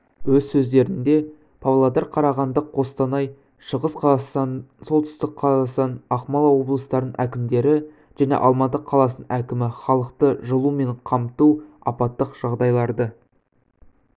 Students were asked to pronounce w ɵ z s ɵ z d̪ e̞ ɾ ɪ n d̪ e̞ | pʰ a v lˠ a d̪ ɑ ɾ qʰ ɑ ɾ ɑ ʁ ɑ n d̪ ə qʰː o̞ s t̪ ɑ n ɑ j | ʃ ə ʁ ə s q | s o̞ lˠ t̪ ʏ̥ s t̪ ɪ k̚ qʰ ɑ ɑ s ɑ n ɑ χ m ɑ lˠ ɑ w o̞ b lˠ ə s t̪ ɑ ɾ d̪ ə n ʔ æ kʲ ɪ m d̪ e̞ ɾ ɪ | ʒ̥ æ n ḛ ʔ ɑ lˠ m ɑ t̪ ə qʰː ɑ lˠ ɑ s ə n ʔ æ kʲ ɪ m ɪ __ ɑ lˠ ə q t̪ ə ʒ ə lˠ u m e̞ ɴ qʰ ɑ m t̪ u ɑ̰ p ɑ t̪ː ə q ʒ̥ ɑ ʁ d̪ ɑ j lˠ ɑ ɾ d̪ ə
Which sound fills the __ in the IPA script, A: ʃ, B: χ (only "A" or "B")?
B